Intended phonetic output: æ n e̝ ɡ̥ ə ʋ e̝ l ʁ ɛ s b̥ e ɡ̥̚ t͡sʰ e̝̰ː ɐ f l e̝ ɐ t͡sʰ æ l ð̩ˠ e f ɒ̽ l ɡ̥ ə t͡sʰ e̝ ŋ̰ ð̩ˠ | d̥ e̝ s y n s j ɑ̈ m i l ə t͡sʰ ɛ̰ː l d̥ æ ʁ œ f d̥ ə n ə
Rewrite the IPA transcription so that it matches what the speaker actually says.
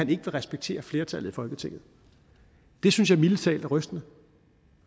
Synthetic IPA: æ n e̝ ɡ̥ ə ʋ e̝ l ʁ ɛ s b̥ e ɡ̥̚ t͡sʰ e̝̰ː ɐ f l e̝ ɐ t͡sʰ æ l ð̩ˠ i f ɒ̽ l ɡ̥ ə t͡sʰ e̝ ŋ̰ ð̩ˠ | d̥ e̝ s y n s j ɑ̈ m i l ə t͡sʰ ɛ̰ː l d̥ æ ʁ œ s d̥ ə n ə